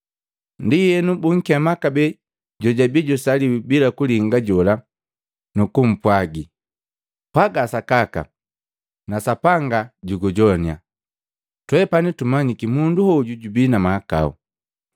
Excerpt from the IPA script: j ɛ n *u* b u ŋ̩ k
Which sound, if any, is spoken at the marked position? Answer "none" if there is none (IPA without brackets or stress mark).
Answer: u